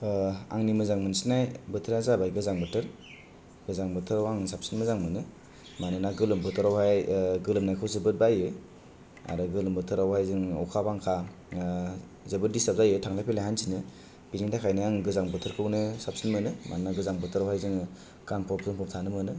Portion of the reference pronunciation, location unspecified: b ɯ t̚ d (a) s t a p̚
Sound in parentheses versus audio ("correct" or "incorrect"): incorrect